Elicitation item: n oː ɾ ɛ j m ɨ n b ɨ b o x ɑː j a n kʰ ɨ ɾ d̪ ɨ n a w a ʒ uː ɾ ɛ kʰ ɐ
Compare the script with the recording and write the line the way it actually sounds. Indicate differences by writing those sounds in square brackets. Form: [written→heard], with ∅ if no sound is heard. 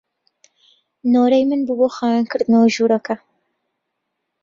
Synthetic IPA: n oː ɾ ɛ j m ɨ n b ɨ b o x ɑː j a n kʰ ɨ ɾ d̪ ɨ n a w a ʒ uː ɾ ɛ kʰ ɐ